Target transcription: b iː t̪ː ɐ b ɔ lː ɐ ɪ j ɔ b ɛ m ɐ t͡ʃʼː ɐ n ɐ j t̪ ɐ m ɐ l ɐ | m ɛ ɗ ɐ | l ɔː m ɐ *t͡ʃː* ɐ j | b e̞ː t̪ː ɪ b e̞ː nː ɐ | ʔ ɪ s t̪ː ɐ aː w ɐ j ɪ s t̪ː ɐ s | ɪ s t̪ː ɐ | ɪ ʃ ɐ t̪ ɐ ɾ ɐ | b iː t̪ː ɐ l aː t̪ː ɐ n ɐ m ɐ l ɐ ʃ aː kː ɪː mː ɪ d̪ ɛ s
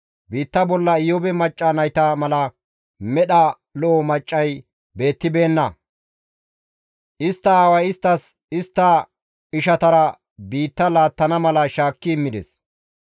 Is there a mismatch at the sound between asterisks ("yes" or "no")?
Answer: yes